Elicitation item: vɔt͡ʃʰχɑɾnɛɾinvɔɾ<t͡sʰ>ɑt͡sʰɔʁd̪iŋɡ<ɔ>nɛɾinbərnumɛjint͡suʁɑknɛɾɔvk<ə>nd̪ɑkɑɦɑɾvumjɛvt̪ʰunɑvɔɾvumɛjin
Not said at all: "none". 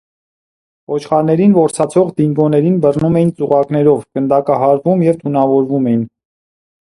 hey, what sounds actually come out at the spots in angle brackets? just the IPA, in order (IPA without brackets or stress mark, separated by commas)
t͡sʰ, ɔ, ə